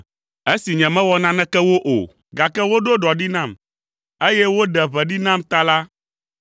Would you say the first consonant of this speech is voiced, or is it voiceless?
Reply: voiceless